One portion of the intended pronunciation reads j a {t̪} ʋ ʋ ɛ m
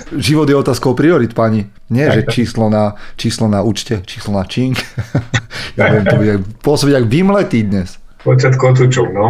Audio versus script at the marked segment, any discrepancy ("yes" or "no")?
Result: yes